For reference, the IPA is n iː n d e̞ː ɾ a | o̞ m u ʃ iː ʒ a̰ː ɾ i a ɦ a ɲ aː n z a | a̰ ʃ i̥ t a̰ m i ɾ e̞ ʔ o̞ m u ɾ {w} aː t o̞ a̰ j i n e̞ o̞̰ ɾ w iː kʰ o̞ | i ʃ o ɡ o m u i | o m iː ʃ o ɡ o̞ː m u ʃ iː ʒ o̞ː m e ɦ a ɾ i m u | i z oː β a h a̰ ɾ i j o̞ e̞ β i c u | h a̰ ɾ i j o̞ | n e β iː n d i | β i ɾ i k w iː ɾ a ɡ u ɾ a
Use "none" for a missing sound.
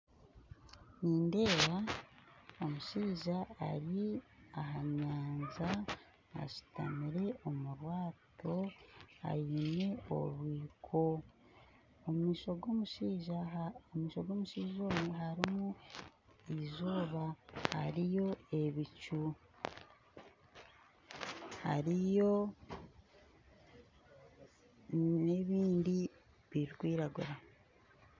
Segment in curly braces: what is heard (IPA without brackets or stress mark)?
w